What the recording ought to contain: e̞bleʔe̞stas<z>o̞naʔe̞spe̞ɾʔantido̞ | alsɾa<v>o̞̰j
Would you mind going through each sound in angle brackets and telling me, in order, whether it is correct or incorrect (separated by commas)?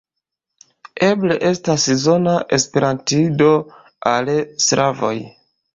correct, correct